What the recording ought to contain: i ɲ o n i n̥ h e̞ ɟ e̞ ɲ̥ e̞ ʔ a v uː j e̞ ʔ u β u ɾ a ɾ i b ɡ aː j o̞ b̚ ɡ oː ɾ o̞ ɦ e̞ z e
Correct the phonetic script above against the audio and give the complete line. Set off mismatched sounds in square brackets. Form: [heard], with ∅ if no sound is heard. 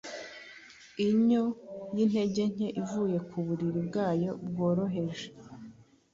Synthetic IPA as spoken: i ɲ o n i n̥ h e̞ ɟ e̞ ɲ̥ e̞ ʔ [i] v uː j e̞ [k] u β u ɾ [i] ɾ i b ɡ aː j o̞ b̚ ɡ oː ɾ o̞ ɦ e̞ [ʒ] e

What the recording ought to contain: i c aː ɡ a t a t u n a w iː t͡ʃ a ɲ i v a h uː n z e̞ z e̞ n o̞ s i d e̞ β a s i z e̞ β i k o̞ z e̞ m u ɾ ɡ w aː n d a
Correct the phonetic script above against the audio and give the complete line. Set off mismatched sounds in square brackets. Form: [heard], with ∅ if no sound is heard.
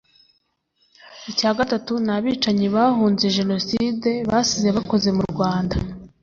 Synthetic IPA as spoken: i c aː ɡ a t a t u n a [β] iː t͡ʃ a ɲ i [β] a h uː n z e̞ [ʒ] e̞ n o̞ s i d e̞ β a s i z e̞ β [a] k o̞ z e̞ m u ɾ ɡ w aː n d a

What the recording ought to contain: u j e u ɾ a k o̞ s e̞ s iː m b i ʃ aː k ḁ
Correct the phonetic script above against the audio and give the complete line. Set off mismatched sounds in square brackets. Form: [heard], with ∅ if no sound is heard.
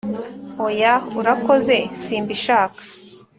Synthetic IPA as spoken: [o] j [a] u ɾ a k o̞ [z] e̞ s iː m b i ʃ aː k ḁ

